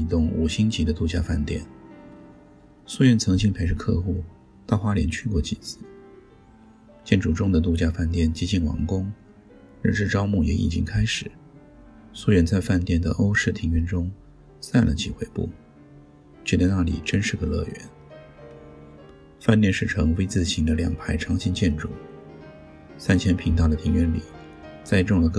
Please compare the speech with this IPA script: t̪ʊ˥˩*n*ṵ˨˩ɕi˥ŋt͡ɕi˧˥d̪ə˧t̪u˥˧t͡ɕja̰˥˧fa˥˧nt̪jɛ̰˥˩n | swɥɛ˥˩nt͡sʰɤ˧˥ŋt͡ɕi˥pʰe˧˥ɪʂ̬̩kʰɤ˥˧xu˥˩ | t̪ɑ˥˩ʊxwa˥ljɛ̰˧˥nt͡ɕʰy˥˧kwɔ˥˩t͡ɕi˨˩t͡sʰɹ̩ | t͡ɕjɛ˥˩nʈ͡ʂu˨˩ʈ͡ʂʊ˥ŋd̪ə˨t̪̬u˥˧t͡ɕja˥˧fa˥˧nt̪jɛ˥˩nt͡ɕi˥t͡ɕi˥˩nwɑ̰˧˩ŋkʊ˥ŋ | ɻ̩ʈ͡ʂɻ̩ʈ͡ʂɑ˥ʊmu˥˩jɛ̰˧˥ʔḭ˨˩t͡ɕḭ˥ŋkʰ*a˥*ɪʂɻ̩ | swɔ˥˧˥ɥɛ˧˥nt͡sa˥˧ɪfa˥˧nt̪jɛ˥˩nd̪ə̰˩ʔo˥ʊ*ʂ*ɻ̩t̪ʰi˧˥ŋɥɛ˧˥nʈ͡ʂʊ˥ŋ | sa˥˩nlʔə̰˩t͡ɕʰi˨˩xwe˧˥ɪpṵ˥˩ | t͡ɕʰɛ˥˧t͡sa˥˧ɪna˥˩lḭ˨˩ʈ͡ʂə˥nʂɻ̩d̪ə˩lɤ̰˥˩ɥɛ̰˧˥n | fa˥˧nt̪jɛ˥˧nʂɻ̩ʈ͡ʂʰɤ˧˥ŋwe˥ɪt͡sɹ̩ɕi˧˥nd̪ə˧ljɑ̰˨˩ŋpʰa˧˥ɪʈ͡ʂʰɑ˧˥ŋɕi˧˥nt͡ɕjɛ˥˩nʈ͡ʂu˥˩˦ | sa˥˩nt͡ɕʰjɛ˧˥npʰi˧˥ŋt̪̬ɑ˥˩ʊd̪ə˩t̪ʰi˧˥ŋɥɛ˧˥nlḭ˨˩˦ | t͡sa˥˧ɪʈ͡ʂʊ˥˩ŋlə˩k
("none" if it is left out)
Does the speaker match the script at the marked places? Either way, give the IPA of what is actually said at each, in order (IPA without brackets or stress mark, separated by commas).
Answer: ŋ, a˥, ʂ